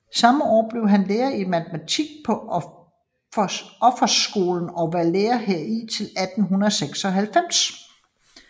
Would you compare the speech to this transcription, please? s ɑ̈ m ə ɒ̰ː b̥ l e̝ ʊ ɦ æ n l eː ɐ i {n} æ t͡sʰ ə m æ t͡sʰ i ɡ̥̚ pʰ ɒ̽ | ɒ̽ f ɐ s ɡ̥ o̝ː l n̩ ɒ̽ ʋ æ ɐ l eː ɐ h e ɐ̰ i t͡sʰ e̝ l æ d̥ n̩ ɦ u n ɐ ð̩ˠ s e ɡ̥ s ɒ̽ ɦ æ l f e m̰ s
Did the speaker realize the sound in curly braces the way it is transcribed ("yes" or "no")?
no